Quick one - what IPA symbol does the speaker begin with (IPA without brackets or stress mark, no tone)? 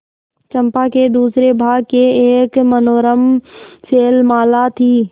t͡ʃ